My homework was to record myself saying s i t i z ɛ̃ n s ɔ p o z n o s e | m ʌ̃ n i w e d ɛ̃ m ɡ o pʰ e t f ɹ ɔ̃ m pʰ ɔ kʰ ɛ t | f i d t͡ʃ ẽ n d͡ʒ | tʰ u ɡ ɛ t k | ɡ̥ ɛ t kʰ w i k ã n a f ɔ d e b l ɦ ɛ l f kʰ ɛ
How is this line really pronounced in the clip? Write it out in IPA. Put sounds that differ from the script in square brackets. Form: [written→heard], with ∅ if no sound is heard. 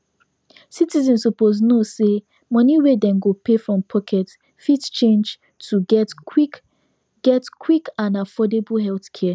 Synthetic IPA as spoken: s i t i z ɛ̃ n s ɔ p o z n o s e | m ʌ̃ n i w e d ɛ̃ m ɡ o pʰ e [t→∅] f ɹ ɔ̃ m pʰ ɔ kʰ ɛ t | f i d t͡ʃ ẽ n d͡ʒ | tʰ u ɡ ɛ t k | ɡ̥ ɛ t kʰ w i k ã n a f ɔ d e b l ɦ ɛ l [f→θ] kʰ ɛ